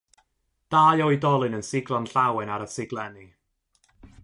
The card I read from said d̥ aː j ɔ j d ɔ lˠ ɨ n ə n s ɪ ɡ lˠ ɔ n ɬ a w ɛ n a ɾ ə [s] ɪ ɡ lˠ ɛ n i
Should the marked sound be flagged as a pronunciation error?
no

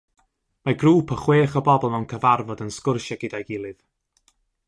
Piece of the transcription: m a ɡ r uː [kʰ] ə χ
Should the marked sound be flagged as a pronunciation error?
yes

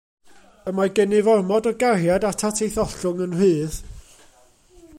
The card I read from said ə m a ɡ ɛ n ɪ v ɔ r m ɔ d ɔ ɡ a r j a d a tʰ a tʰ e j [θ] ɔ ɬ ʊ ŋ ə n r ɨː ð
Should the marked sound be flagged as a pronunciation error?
no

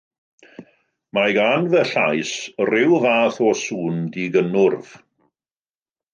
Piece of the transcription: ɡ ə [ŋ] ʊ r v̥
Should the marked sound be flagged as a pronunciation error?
yes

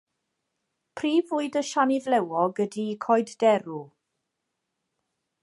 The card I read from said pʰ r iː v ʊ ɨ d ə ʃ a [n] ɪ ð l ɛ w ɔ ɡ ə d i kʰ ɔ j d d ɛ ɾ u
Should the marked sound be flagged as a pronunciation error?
no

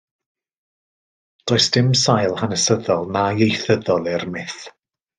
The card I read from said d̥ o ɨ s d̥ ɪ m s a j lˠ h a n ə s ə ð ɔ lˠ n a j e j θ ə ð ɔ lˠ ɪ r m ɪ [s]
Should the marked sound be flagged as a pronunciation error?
yes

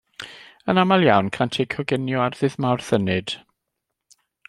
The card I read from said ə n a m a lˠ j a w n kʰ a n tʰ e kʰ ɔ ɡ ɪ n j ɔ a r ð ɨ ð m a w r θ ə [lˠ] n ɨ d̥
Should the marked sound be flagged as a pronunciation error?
yes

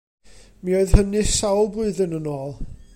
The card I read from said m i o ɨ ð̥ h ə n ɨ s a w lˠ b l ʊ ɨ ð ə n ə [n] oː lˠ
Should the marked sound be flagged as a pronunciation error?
no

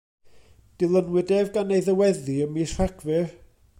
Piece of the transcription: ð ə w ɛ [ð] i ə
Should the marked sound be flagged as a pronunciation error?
no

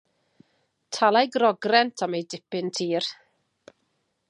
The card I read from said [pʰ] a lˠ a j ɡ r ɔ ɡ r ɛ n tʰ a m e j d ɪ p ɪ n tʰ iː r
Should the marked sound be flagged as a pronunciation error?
yes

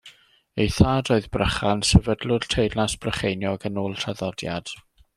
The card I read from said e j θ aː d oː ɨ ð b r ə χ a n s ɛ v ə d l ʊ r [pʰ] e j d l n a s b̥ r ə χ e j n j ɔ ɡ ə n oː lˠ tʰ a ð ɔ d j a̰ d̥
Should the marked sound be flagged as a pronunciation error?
yes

